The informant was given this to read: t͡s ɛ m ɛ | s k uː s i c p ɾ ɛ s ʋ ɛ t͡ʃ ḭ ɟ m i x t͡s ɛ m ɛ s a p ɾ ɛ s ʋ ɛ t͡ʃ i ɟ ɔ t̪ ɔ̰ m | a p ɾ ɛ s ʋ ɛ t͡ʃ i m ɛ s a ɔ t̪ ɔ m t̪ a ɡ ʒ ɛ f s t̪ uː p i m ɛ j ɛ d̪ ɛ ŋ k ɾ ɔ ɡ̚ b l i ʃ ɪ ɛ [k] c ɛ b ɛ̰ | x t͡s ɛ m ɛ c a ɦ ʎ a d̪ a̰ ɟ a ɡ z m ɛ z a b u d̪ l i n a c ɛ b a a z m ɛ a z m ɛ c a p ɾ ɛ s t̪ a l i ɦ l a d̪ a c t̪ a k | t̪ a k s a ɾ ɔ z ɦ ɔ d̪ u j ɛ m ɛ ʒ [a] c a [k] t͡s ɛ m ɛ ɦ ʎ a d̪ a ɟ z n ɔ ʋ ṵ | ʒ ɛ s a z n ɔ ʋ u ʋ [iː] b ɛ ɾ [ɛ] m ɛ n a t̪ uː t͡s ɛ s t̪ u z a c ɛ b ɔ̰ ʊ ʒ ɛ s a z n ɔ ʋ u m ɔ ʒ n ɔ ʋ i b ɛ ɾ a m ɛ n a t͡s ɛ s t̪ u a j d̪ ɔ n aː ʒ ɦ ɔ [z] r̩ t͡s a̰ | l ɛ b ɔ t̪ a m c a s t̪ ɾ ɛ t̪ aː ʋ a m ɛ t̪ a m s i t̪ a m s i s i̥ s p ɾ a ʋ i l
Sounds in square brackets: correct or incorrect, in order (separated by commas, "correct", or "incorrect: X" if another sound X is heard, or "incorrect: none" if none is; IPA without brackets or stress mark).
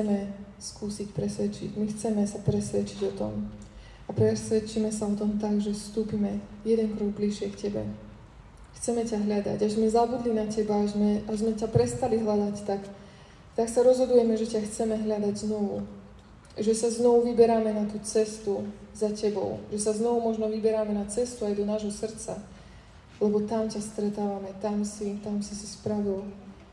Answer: correct, incorrect: ɛ, incorrect: x, incorrect: i, incorrect: a, incorrect: s